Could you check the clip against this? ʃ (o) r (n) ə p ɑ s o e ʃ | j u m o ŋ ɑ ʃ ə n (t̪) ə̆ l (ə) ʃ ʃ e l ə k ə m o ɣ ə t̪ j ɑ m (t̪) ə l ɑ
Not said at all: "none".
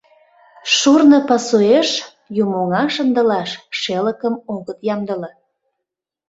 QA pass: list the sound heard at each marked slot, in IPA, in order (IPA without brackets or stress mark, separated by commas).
u, n, d̪, ɑ, d̪